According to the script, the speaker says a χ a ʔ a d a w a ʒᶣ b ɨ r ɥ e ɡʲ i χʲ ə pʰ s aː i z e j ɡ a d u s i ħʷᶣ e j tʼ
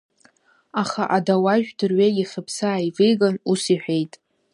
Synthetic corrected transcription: a χ a ʔ a d a w a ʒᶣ d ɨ r ɥ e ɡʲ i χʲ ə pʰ s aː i v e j ɡ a n u s i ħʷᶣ e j tʼ

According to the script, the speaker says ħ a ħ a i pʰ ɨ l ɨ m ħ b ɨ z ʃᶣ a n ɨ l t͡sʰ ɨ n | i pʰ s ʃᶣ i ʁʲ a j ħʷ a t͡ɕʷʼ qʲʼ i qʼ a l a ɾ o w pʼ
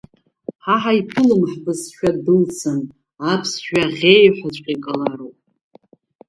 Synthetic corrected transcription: ħ a ħ a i pʰ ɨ l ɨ m ħ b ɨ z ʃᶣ a d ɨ l t͡sʰ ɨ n | a pʰ s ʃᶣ a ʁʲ e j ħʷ a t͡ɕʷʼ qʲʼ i kʼ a l a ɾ o w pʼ

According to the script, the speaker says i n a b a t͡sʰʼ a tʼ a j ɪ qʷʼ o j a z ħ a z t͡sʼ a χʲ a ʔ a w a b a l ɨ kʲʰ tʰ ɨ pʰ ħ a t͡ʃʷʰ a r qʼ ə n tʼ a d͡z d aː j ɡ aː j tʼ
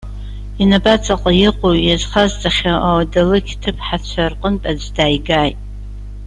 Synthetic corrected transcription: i n a b a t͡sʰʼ a qʼ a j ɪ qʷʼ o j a z χ a z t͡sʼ a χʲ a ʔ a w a d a l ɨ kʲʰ tʰ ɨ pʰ ħ a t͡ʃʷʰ a r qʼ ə n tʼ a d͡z d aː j ɡ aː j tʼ

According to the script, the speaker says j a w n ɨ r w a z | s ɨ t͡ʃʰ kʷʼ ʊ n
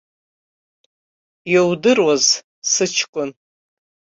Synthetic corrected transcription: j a w d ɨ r w a z | s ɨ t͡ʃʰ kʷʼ ʊ n

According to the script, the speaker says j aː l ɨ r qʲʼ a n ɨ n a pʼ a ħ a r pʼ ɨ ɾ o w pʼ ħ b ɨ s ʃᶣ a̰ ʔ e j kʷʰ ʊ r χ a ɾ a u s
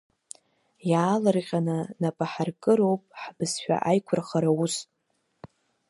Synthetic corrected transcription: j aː l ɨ r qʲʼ a n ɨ n a pʼ a ħ a r kʼ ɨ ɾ o w pʼ ħ b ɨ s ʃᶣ a̰ ʔ a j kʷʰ ʊ r χ a ɾ a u s

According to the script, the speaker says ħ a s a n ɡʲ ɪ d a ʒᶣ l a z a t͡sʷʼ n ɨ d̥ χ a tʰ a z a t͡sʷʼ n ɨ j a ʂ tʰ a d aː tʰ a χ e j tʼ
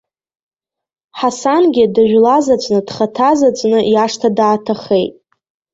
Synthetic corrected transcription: ħ a s a n ɡʲ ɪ d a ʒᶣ l a z a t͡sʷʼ n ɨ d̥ χ a tʰ a z a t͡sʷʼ n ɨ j a ʂ tʰ a d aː tʰ a χ e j tʼ

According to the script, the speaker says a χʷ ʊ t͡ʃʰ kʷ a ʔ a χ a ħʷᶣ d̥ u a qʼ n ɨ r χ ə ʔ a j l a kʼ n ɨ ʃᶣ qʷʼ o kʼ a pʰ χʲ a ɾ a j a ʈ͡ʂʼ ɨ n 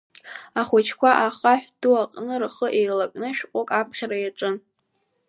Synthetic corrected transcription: a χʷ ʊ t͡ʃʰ kʷ a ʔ a χ a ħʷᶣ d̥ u a qʼ n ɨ r χ ə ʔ e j l a kʼ n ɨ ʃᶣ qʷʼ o kʼ a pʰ χʲ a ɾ a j a ʈ͡ʂʼ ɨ n

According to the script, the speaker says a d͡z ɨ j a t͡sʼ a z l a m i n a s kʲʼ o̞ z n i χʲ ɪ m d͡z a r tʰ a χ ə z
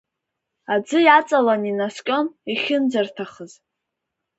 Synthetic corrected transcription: a d͡z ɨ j a t͡sʼ a l a n i n a s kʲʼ o̞ n i χʲ ɪ n d͡z a r tʰ a χ ə z

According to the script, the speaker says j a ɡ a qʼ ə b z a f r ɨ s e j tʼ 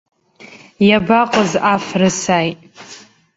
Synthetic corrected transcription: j a b a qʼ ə z a f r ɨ s a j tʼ

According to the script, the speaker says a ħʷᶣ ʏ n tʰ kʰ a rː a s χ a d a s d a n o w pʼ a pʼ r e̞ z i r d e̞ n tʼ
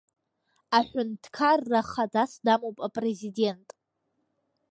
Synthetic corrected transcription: a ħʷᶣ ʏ n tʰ kʰ a rː a χ a d a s d a m o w pʼ a pʼ r e̞ z i d e̞ n tʼ

